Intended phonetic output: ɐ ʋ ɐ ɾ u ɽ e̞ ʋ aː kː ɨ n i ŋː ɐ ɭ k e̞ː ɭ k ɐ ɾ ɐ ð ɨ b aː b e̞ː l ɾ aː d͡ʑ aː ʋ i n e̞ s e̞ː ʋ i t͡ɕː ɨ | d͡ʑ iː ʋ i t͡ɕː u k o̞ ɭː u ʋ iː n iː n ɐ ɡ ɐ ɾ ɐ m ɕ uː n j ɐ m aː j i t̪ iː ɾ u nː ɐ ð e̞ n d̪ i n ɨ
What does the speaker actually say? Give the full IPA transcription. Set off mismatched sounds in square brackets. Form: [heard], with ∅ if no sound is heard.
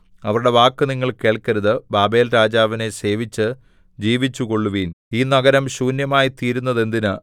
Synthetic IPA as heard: ɐ ʋ ɐ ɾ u ɽ e̞ ʋ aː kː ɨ n i ŋː ɐ ɭ k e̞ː ɭ k ɐ ɾ ɐ ð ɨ b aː b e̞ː l ɾ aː d͡ʑ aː ʋ i n e̞ s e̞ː ʋ i t͡ɕː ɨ | d͡ʑ iː ʋ i t͡ɕː u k o̞ ɭː u ʋ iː n iː n ɐ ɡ ɐ ɾ ɐ m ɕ uː n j ɐ m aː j i t̪ iː ɾ u nː ɐ ð e̞ n d̪ i n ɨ